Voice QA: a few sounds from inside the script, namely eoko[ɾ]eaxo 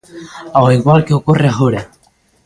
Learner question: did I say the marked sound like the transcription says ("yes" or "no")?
no